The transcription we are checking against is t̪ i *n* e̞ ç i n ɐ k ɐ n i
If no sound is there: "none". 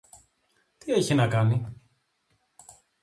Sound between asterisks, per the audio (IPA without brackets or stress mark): none